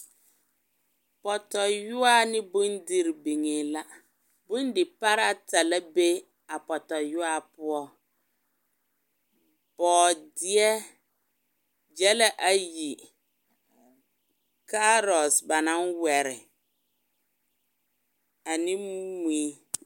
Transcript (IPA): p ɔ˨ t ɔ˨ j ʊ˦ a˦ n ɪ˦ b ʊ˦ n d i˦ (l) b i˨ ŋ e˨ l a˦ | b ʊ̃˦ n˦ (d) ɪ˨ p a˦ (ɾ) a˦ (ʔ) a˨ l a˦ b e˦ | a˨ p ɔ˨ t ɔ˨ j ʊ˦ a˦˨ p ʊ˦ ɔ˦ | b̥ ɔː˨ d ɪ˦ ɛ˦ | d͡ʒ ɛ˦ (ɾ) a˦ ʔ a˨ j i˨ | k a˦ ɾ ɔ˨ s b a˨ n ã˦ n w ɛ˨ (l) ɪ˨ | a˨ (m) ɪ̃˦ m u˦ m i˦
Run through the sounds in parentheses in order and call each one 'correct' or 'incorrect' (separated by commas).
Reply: incorrect, correct, correct, incorrect, incorrect, incorrect, incorrect